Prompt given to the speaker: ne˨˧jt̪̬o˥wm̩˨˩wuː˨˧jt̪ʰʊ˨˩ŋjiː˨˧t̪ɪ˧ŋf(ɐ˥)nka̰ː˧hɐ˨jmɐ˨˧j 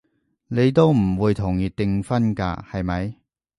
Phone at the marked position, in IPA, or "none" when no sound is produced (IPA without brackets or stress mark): ɐ˥